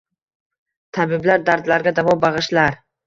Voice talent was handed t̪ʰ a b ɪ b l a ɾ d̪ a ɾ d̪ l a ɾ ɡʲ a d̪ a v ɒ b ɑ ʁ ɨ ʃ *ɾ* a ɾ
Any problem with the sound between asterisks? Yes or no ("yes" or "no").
yes